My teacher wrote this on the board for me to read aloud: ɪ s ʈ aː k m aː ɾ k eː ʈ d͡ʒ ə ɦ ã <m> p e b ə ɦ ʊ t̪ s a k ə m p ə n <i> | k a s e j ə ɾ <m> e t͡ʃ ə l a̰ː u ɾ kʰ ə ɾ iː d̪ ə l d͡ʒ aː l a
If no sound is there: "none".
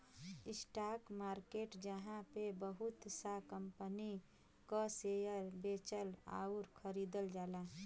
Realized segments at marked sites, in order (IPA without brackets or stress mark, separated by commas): none, i, b